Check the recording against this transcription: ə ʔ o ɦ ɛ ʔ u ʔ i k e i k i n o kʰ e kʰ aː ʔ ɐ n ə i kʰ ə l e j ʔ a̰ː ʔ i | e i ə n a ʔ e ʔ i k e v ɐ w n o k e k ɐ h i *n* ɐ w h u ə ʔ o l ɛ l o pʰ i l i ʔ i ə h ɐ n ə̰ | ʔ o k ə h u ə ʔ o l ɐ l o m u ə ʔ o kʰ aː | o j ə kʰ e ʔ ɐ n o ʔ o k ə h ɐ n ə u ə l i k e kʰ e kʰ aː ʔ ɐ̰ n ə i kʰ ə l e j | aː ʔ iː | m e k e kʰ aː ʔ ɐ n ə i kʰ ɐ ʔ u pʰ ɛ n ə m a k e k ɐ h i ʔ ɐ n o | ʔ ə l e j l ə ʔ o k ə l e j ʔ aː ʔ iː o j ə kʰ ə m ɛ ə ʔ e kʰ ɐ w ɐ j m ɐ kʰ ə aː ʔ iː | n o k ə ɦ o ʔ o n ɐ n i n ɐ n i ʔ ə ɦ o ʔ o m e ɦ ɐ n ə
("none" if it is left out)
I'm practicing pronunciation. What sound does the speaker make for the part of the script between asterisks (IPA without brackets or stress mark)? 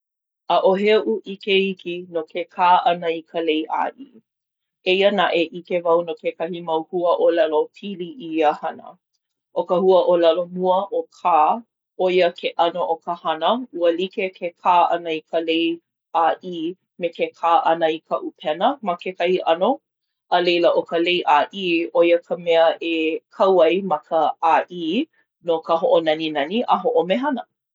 m